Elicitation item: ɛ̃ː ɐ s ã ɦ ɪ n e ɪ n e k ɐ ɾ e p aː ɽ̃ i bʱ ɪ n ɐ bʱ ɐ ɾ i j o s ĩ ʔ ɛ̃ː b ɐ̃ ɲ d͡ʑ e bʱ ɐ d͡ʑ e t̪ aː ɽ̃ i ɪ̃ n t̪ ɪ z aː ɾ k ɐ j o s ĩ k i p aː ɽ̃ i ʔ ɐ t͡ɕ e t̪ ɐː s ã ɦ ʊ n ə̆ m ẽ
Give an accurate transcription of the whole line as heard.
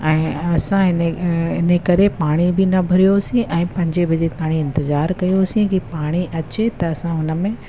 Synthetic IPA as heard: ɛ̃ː ɐ s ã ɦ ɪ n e ɪ n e k ɐ ɾ e p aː ɽ̃ i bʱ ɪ n ɐ bʱ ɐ ɾ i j o s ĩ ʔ ɛ̃ː p ɐ̃ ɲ d͡ʑ e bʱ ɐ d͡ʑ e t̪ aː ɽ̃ i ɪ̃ n t̪ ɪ z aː ɾ k ɐ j o s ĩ k i p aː ɽ̃ i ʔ ɐ t͡ɕ e t̪ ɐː s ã ɦ ʊ n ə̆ m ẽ